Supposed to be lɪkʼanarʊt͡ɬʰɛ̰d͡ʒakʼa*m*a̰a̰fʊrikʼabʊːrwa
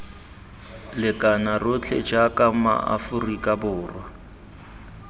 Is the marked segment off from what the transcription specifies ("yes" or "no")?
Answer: no